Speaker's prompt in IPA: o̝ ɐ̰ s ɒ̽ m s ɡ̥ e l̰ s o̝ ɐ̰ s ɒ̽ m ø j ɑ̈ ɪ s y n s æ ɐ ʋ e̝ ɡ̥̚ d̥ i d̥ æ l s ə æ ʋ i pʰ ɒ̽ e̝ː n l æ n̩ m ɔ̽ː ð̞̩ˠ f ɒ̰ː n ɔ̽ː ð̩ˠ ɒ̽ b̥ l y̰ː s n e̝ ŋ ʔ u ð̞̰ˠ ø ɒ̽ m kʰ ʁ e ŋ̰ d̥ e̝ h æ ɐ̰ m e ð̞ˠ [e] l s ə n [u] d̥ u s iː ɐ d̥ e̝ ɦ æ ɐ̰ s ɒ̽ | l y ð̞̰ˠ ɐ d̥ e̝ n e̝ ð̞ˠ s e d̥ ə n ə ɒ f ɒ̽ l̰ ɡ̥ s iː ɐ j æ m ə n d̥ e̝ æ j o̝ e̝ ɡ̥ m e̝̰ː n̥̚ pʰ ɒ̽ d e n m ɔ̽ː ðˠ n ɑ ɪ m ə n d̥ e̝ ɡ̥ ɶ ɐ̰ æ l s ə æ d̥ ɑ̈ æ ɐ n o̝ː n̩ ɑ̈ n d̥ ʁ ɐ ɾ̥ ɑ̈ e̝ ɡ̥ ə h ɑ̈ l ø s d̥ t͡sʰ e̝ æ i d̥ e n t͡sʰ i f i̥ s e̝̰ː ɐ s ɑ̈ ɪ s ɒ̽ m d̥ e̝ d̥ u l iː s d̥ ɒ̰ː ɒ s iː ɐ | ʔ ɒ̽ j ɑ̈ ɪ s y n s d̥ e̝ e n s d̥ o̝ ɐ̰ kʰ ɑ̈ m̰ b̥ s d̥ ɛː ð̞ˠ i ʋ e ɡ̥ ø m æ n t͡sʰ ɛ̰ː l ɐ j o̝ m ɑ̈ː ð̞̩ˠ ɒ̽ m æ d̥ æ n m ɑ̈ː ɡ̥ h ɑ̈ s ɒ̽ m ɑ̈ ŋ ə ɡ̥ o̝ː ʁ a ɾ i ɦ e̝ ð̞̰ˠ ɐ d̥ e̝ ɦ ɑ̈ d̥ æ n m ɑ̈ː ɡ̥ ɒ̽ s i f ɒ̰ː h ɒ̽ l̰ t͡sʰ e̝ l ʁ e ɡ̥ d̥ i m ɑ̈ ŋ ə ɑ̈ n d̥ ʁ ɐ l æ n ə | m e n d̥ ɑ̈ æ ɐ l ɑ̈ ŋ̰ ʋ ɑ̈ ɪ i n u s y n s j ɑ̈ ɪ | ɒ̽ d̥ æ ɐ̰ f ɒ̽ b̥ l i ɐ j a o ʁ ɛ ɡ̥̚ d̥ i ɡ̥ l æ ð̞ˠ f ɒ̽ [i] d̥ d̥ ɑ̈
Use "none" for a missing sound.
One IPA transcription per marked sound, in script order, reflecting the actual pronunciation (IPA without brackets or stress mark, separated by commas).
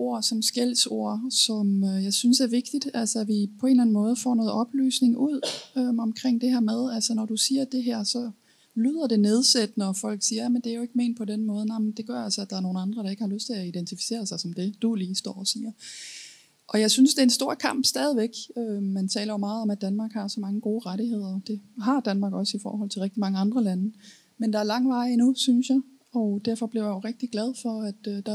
æ, ɒ, æ